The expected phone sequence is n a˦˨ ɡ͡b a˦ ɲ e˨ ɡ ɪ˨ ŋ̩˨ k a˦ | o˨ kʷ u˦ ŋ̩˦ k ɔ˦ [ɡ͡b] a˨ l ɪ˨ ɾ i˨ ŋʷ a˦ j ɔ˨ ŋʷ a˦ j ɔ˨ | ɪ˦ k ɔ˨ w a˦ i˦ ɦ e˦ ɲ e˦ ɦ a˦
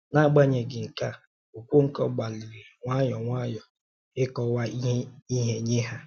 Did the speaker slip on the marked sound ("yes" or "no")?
no